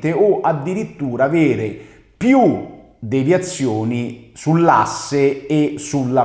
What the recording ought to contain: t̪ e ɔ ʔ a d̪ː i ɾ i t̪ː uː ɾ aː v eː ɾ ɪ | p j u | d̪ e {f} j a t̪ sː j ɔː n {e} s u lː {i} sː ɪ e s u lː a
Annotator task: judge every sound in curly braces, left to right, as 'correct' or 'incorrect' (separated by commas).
incorrect, incorrect, incorrect